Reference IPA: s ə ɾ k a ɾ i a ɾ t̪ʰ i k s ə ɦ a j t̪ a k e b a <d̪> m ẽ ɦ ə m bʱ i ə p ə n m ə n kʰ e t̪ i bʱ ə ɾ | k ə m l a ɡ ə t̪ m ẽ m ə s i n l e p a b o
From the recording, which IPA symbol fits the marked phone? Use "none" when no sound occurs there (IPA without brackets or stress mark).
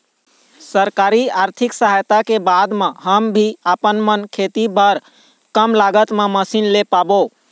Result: d̪